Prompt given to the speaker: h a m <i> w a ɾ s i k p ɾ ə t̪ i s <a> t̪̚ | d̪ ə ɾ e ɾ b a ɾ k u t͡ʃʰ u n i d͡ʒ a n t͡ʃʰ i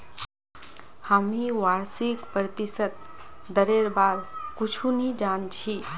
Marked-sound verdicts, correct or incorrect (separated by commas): correct, incorrect